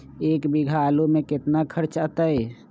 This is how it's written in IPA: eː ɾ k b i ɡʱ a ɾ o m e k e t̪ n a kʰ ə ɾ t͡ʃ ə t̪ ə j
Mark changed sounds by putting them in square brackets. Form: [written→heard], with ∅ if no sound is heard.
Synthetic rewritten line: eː [ɾ→∅] k b i ɡʱ a [ɾ→l] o m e k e t̪ n a kʰ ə ɾ t͡ʃ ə t̪ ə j